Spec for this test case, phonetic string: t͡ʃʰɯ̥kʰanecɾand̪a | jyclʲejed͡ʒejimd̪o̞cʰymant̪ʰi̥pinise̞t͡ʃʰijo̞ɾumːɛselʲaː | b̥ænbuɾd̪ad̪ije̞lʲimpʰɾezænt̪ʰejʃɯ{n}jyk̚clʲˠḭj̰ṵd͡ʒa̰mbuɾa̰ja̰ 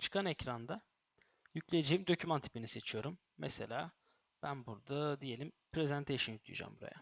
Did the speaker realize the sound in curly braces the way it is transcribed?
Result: yes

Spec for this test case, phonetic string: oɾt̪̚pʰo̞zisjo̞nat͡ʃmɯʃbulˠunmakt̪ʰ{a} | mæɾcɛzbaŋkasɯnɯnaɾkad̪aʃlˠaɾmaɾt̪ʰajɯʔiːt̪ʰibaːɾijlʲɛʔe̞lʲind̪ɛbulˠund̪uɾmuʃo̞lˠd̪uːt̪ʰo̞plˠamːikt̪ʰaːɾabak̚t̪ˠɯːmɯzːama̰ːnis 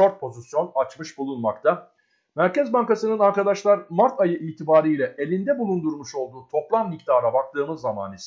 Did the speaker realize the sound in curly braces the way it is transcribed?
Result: yes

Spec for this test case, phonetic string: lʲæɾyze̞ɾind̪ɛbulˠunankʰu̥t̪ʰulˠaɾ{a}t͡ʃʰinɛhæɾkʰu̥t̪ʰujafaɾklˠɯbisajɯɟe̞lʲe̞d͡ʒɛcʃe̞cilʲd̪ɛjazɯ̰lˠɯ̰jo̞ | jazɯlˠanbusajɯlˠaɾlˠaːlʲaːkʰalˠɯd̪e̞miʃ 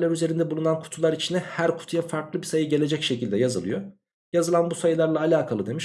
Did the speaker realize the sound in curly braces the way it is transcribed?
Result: no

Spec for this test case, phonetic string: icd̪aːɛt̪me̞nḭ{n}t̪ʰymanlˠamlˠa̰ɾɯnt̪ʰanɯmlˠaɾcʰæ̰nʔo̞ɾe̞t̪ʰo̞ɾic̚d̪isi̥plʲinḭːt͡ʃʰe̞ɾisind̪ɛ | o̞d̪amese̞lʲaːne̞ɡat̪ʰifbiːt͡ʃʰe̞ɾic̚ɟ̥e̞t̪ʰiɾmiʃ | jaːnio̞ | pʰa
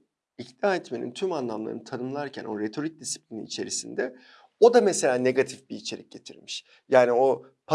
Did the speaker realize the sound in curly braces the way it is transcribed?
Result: yes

